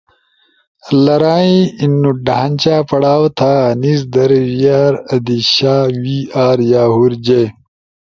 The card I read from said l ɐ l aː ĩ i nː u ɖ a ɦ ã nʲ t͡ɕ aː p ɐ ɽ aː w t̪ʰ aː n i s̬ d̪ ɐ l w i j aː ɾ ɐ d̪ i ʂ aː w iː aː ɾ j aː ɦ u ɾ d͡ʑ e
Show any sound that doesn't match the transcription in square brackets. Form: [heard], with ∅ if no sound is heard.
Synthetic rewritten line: l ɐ [ɾ] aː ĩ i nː u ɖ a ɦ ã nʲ t͡ɕ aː p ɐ ɽ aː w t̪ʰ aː n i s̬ d̪ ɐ [ɾ] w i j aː ɾ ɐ d̪ i [ɕ] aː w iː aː ɾ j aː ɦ u ɾ d͡ʑ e